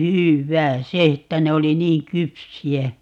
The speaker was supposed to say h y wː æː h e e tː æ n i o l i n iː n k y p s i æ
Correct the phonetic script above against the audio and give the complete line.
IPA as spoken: h y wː æː s e e tː æ n e o l i n iː ŋ k y p s i æ